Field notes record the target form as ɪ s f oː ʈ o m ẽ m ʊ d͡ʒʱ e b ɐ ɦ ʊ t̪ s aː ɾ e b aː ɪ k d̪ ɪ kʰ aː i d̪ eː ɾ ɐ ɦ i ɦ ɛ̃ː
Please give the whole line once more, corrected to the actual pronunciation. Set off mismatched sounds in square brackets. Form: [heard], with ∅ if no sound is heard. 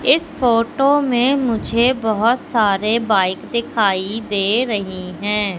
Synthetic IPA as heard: ɪ s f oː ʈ o m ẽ m ʊ d͡ʒʱ e b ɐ ɦ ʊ t̪ s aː ɾ e b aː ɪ k d̪ ɪ kʰ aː i d̪ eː ɾ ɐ ɦ i ɦ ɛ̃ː